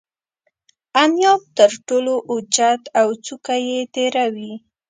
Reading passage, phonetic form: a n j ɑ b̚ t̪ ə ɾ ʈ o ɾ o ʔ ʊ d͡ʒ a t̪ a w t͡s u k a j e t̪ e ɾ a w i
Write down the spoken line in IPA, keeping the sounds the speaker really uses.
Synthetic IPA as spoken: a n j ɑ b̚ t̪ ə ɾ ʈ o l o ʔ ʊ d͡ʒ a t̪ a w t͡s u k a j e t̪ e ɾ a w i